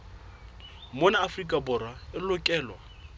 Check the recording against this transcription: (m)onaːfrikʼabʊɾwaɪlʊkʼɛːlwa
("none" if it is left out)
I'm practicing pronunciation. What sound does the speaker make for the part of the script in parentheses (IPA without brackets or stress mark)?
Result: m